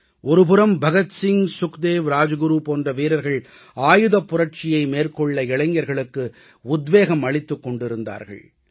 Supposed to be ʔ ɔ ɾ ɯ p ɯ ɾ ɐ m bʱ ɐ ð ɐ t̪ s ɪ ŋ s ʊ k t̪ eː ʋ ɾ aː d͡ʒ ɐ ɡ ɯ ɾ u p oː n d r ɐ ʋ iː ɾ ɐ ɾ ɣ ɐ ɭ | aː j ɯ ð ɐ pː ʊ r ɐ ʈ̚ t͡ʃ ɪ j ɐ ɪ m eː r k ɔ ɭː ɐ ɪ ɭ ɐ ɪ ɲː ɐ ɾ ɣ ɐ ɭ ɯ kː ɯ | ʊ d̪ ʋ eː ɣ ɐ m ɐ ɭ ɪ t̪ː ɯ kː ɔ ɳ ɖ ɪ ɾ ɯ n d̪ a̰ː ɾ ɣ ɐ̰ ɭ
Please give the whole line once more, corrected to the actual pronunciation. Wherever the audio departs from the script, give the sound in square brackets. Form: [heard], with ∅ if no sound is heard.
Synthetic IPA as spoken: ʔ ɔ ɾ ɯ p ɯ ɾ ɐ m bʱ ɐ [ɣ] ɐ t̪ s ɪ ŋ s ʊ k [d̪] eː ʋ ɾ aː d͡ʒ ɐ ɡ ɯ ɾ u p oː n d r ɐ ʋ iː ɾ ɐ ɾ ɣ ɐ ɭ | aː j ɯ ð ɐ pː ʊ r ɐ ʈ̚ t͡ʃ ɪ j ɐ ɪ m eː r k ɔ ɭː ɐ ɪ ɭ ɐ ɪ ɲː ɐ ɾ ɣ ɐ ɭ ɯ kː ɯ | ʊ d̪ ʋ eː ɣ ɐ m ɐ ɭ ɪ t̪ː ɯ kː ɔ ɳ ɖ ɪ ɾ ɯ n d̪ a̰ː ɾ ɣ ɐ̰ ɭ